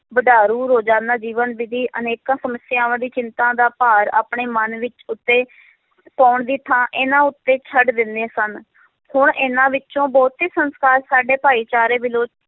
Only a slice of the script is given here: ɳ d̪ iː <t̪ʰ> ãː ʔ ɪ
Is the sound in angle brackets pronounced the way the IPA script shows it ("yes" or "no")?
yes